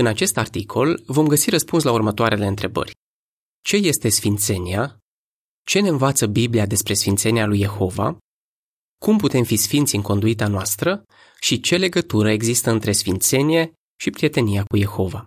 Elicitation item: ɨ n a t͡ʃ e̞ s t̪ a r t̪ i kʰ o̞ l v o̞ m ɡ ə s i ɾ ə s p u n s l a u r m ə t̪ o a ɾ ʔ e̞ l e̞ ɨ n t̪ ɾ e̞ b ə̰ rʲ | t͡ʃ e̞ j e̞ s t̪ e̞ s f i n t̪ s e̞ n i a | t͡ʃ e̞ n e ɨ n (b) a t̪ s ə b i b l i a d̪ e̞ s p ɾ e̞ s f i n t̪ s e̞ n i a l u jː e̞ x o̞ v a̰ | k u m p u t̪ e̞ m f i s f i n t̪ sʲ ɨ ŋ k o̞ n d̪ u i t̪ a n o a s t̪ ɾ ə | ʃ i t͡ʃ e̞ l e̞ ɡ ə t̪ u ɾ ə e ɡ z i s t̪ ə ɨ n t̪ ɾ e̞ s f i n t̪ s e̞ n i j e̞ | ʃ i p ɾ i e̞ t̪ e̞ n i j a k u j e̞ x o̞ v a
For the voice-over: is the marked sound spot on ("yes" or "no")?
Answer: no